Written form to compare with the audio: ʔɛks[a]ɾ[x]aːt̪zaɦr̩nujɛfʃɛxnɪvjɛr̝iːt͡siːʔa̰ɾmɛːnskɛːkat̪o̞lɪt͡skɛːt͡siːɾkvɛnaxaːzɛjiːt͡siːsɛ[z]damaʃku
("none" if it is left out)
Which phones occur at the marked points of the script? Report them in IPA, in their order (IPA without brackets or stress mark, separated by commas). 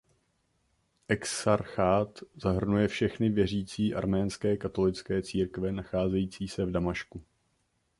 a, x, v